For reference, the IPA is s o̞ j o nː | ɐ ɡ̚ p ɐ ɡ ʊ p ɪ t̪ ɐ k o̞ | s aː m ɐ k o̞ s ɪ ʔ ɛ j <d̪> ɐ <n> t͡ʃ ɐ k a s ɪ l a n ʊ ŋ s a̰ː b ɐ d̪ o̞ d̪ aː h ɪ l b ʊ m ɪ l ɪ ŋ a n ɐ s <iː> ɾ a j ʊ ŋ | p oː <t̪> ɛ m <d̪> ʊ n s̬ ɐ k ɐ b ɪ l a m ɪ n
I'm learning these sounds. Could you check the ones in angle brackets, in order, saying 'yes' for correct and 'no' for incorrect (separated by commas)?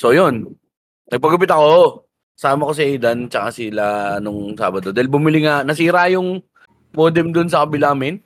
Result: yes, yes, yes, no, yes